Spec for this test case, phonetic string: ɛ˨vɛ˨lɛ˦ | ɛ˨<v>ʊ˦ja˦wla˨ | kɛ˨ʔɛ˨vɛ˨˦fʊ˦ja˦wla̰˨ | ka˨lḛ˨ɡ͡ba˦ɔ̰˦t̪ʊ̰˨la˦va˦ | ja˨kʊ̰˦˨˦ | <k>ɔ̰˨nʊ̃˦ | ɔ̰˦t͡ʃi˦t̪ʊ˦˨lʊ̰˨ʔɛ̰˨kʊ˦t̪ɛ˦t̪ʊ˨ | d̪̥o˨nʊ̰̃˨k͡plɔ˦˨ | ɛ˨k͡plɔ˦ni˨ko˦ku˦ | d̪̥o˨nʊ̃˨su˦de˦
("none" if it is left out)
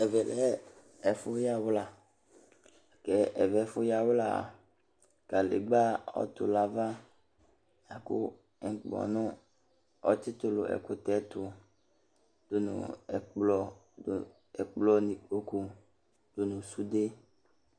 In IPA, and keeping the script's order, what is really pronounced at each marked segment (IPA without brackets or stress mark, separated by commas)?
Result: f, k͡p